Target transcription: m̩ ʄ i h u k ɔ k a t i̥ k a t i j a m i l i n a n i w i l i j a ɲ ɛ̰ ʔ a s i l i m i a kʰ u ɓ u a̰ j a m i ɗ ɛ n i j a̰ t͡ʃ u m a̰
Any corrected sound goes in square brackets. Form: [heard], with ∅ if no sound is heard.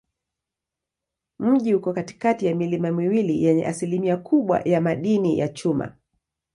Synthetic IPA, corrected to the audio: m̩ ʄ i h u k ɔ k a t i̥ k a t i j a m i l i [m] a [m] i w i l i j [ɛ] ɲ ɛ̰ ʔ a s i l i m i a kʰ u ɓ [w] a̰ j a m [a] ɗ [i] n i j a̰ t͡ʃ u m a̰